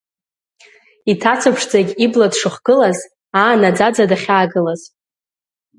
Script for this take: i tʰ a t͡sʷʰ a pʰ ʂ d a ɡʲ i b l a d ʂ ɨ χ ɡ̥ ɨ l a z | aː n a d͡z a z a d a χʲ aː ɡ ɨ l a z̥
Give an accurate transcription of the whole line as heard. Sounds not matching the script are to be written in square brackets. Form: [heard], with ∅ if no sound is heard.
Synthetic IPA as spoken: i tʰ a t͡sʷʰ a pʰ ʂ [d͡z] a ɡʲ i b l a d ʂ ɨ χ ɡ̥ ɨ l a z | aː n a d͡z a [d͡z] a d a χʲ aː ɡ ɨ l a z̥